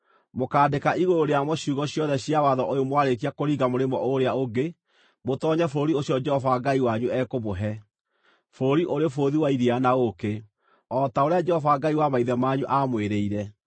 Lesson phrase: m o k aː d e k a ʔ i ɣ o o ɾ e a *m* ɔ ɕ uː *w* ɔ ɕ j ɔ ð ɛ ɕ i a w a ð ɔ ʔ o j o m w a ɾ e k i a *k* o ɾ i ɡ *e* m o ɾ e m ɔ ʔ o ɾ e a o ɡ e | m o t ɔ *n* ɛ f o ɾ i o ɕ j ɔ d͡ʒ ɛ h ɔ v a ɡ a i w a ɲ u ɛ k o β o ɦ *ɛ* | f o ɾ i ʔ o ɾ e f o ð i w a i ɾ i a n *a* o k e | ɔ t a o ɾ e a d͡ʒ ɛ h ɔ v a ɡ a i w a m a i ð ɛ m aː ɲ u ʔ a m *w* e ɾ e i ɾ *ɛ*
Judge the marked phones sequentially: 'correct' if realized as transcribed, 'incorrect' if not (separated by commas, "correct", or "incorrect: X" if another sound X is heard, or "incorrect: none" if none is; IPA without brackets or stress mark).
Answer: correct, incorrect: ɣ, correct, incorrect: a, incorrect: ɲ, correct, correct, correct, correct